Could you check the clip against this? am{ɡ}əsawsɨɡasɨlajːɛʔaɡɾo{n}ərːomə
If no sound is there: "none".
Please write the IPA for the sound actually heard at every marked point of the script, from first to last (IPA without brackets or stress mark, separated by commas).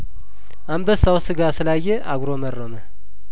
b, m